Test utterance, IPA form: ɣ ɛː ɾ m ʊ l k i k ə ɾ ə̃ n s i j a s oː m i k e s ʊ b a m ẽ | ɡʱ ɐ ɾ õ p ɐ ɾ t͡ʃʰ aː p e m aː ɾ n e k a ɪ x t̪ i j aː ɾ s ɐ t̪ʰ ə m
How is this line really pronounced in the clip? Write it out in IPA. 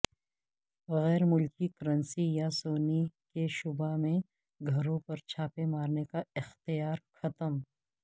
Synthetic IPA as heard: ɣ ɛː ɾ m ʊ l k i k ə ɾ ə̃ n s i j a s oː n i k e ʃ ʊ b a m ẽ | ɡʱ ɐ ɾ õ p ɐ ɾ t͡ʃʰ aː p e m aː ɾ n e k a ɪ x t̪ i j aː ɾ x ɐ t̪ ə m